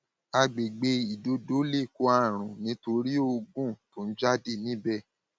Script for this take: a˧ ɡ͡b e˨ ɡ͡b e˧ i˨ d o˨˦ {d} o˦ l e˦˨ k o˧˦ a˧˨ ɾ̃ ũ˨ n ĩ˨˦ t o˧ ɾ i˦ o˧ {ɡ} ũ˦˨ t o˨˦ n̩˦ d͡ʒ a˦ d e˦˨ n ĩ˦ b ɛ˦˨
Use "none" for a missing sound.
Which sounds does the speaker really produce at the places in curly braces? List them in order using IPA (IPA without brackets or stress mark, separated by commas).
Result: d, ɡ